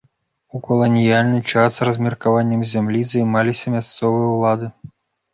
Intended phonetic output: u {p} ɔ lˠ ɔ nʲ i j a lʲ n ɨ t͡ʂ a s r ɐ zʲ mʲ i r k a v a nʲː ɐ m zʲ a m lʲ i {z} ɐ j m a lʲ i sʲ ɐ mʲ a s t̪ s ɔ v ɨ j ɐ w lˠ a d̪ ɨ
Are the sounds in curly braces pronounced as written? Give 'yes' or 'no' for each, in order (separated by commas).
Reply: no, yes